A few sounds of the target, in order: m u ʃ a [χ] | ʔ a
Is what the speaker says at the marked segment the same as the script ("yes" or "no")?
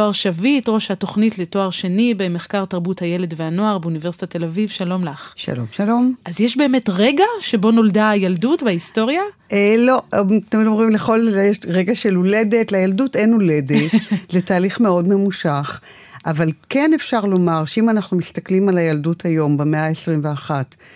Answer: yes